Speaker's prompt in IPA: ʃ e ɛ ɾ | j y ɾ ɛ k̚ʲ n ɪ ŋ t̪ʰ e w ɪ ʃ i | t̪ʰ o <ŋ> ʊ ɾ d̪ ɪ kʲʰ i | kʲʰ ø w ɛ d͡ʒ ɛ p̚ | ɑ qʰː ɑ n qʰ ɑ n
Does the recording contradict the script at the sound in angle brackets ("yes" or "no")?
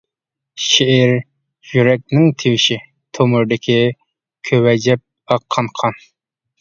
yes